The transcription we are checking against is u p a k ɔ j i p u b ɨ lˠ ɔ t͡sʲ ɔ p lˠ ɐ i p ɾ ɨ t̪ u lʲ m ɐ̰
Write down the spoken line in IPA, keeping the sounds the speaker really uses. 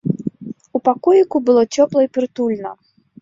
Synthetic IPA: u p a k ɔ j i k u b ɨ lˠ ɔ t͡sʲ ɔ p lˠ ɐ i p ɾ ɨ t̪ u lʲ n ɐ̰